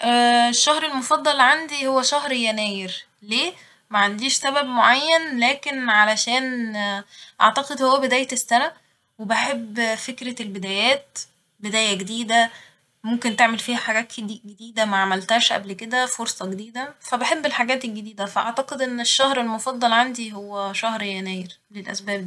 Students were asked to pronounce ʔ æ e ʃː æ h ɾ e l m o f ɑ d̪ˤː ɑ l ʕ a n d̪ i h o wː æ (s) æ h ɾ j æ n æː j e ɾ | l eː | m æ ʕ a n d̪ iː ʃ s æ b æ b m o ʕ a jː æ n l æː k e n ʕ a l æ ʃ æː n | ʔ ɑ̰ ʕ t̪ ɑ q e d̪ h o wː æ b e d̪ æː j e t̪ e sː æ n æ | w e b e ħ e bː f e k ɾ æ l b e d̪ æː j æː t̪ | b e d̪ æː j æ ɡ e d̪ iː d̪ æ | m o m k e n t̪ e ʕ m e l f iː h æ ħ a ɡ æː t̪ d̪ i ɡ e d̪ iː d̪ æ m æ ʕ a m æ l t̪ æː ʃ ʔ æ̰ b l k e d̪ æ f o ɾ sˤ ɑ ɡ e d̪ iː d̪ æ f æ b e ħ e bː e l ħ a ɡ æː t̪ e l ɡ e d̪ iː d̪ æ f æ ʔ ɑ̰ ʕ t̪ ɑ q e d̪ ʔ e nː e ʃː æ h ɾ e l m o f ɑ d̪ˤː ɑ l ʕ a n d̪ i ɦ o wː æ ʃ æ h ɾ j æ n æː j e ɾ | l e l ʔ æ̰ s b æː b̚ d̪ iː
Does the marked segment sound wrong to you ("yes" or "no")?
yes